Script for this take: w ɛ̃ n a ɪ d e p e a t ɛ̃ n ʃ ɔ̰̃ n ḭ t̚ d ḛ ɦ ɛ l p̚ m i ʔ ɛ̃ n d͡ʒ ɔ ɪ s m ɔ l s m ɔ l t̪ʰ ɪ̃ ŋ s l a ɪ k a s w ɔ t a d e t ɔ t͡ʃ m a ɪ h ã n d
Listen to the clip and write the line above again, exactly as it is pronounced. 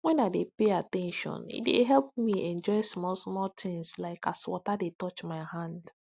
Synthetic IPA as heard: w ɛ̃ n a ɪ d e p e a t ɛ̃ n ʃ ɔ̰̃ n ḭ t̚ d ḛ ɦ ɛ l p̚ m i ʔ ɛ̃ n d͡ʒ ɔ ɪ s m ɔ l s m ɔ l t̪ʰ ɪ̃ ŋ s l a ɪ k a s w ɔ t a d e t ɔ t͡ʃ m a ɪ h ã n d

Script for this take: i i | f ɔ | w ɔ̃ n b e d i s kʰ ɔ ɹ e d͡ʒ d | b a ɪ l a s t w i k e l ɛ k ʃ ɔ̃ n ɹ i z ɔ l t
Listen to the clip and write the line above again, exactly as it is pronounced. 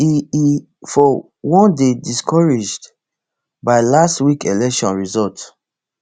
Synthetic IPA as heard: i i | f ɔ | w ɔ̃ n d e d i s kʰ ɔ ɹ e d͡ʒ d | b a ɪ l a s t w i k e l ɛ k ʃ ɔ̃ n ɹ i z ɔ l t

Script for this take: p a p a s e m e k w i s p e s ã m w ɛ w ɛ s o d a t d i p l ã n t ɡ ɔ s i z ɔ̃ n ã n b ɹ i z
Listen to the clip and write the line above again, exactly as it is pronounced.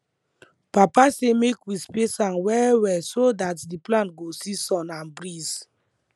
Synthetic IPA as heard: p a p a s e m e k w i s p e s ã n w ɛ w ɛ s o d a t d i p l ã n t ɡ o s i s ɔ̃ n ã n b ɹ i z

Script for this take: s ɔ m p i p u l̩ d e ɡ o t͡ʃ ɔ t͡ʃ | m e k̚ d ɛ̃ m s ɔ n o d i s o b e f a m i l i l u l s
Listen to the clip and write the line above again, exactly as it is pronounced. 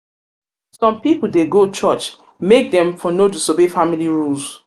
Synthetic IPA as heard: s ɔ̃ m p i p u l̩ d e ɡ o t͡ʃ ɔ t͡ʃ | m e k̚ d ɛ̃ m f ɔ n o d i s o b e f a m i l i ɹ u l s

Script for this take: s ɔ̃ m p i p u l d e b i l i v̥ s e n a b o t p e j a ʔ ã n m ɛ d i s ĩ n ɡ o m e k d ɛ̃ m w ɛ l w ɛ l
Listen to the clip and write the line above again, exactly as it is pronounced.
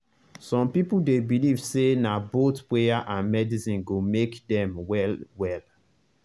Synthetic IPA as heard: s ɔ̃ m p i p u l d e b i l i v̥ s e n a b o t p e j a ʔ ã n m ɛ d i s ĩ n ɡ o m e k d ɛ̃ m w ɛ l w ɛ l

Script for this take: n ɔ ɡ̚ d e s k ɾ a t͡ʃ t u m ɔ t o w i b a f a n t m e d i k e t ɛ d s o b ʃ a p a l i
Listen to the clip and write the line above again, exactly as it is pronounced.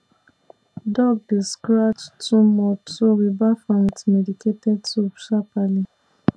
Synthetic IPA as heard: d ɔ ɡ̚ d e s k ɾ a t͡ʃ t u m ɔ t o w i b a f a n t m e d i k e t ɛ d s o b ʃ a p a l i

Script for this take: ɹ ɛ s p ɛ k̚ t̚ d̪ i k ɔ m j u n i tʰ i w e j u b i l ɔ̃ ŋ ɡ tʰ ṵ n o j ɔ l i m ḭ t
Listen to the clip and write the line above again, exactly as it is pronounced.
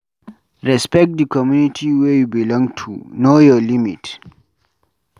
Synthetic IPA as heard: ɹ ɛ s p ɛ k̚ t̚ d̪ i k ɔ m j u n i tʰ i w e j u b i l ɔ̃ ŋ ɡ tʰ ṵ n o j ɔ l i m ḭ t

